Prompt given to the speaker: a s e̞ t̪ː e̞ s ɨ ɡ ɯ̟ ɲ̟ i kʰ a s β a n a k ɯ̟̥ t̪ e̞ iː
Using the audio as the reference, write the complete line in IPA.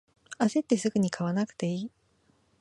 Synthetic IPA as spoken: a s e̞ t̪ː e̞ s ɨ ɡ ɯ̟ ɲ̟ i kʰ a β a n a k ɯ̟̥ t̪ e̞ iː